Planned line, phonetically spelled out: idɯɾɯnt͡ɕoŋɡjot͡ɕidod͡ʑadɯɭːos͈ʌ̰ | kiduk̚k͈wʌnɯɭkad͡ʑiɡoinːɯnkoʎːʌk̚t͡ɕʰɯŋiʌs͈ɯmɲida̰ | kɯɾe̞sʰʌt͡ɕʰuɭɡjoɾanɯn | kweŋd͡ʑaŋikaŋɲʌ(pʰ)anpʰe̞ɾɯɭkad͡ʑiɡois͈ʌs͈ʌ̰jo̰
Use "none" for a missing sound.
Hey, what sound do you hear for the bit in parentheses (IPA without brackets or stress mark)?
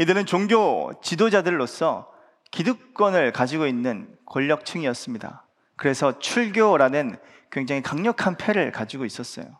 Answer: kʰ